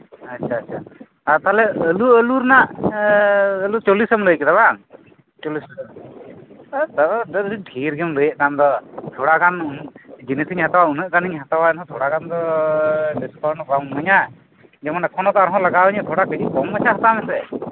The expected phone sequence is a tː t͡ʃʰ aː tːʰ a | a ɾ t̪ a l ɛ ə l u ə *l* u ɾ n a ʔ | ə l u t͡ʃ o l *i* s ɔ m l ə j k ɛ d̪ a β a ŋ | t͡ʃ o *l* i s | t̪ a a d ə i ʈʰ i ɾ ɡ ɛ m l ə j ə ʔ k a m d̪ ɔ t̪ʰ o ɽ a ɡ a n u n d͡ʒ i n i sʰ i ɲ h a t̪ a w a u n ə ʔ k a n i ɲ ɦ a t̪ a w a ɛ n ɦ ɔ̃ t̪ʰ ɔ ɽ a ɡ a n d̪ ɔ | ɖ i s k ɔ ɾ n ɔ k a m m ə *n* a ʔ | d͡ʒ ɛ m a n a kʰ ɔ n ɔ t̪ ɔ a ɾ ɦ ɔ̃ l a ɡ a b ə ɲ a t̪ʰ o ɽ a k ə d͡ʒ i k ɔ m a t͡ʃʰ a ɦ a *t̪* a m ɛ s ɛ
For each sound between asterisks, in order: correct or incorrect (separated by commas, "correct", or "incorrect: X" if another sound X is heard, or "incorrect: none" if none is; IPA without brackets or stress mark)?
correct, correct, correct, incorrect: ɲ, correct